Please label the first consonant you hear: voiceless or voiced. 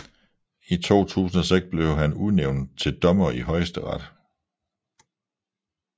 voiceless